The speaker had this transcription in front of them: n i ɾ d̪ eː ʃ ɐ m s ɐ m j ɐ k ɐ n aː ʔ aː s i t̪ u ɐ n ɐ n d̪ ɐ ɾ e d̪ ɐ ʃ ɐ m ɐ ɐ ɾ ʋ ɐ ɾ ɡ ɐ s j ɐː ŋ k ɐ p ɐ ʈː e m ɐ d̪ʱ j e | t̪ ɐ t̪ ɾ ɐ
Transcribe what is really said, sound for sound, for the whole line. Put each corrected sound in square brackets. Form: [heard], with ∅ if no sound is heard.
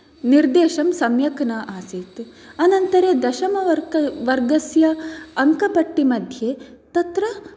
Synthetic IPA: n i ɾ d̪ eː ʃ ɐ m s ɐ m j ɐ k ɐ n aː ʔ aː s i t̪ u ɐ n ɐ n [t̪] ɐ ɾ e d̪ ɐ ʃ ɐ m ɐ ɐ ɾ ʋ ɐ ɾ ɡ ɐ s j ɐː ŋ k ɐ p ɐ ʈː [i] m ɐ d̪ʱ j e | t̪ ɐ t̪ ɾ ɐ